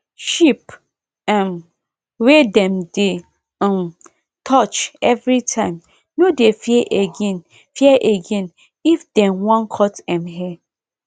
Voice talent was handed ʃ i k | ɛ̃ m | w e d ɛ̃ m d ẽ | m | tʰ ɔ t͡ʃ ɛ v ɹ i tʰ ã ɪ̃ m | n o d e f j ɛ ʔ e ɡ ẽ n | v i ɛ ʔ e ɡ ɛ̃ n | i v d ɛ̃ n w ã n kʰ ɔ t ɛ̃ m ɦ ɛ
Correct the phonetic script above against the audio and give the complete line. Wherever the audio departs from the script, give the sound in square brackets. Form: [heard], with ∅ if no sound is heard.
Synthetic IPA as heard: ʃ i [p] | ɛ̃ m | w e d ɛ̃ m d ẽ | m | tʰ ɔ t͡ʃ ɛ v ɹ i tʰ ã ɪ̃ m | n o d e f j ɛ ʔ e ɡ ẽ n | [f] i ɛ ʔ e ɡ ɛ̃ n | i [f] d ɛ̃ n w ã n kʰ ɔ t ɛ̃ m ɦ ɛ